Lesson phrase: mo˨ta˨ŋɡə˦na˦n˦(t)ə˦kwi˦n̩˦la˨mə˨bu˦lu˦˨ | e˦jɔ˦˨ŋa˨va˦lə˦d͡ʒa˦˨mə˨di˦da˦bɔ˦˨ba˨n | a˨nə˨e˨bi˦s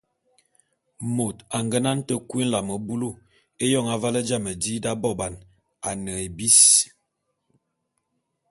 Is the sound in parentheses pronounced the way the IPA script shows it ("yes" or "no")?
yes